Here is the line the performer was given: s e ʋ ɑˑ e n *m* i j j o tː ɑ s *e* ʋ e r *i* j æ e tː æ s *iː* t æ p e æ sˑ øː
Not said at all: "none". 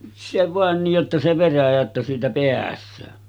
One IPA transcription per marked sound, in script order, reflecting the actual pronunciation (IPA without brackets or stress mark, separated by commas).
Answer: n, e, æ, iː